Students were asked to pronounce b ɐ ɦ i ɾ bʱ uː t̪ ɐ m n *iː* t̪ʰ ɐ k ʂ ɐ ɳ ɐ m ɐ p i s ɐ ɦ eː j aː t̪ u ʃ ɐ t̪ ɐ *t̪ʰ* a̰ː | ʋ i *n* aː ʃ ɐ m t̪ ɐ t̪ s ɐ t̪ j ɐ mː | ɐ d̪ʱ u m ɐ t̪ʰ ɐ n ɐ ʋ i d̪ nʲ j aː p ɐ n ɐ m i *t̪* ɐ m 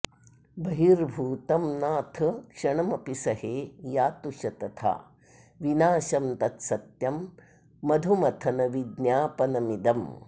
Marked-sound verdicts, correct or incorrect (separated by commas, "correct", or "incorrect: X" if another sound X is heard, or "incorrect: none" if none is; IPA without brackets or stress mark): incorrect: aː, correct, correct, incorrect: d̪